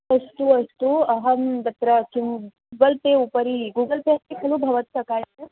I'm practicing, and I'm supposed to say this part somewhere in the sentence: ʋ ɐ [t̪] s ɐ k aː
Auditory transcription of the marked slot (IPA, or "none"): t̪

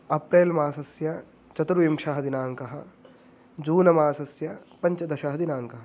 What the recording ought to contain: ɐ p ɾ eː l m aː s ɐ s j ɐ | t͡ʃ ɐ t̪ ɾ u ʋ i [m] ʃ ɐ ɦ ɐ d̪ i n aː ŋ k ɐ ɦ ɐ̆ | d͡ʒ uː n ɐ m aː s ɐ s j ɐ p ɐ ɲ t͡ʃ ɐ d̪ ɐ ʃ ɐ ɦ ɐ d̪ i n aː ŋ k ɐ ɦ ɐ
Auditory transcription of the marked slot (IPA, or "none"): m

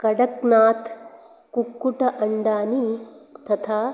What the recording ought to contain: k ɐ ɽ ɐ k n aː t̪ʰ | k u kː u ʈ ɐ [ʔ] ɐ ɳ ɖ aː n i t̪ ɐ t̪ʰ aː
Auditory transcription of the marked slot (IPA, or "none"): ʔ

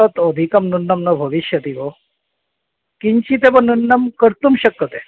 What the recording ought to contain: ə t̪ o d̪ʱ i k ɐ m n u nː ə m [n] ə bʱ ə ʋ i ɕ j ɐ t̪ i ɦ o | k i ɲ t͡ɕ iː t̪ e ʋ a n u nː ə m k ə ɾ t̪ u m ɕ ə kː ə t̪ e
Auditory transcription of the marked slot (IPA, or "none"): n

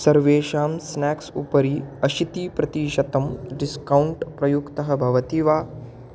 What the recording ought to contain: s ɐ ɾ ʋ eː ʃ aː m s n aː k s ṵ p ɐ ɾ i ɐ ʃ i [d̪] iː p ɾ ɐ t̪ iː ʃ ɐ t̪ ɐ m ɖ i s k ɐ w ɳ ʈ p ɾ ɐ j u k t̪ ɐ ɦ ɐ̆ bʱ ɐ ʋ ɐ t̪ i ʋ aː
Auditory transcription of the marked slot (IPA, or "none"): t̪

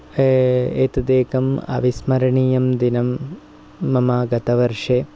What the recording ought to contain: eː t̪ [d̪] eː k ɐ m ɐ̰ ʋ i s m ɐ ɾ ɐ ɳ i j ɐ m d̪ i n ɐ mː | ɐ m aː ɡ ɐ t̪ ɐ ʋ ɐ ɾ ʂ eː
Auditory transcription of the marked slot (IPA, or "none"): d̪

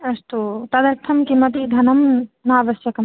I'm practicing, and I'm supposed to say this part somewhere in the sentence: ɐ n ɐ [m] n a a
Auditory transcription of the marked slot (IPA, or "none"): m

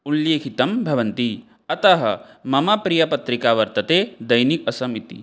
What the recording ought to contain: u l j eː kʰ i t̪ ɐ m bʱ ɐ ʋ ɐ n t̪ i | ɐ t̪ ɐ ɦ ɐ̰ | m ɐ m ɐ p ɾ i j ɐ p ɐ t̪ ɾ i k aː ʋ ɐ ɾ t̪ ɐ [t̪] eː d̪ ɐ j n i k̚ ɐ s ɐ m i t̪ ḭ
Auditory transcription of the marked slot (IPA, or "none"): t̪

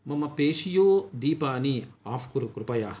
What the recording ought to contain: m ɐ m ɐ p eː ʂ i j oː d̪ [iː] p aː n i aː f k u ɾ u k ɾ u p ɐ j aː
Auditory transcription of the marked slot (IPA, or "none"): iː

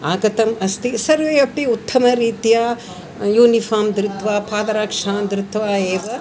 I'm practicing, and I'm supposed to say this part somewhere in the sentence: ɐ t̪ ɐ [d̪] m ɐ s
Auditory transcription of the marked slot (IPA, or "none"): none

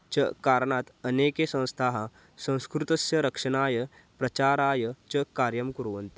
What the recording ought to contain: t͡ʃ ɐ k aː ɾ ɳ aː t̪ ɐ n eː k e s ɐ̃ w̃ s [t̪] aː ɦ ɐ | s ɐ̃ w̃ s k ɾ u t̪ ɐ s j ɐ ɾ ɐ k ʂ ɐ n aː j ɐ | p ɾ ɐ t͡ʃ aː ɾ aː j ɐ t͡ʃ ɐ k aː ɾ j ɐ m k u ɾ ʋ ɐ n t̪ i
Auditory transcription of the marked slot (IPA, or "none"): t̪ʰ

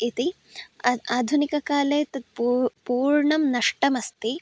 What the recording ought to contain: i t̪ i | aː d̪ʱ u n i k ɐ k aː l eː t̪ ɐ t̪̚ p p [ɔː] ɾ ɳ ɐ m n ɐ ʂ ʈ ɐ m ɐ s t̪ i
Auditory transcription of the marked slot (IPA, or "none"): uː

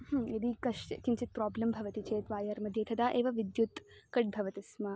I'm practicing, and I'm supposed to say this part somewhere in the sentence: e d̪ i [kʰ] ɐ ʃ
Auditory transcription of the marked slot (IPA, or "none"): k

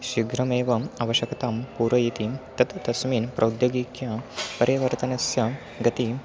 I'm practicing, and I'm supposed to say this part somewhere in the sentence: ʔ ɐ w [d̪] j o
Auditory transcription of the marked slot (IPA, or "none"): d̪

